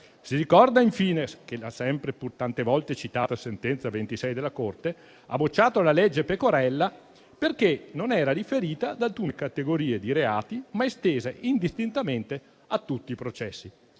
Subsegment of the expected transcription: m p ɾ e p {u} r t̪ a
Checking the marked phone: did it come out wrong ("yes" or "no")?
no